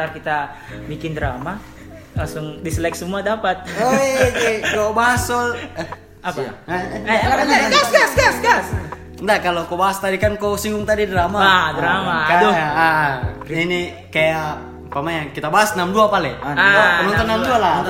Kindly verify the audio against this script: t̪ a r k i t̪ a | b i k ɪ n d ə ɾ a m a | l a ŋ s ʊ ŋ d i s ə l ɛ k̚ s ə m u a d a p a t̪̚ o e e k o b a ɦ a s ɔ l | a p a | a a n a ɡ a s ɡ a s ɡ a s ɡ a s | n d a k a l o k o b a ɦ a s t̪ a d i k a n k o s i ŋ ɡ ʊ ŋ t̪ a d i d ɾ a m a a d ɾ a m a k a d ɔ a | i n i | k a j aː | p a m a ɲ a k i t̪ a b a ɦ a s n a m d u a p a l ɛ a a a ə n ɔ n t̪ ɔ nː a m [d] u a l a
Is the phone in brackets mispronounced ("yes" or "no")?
no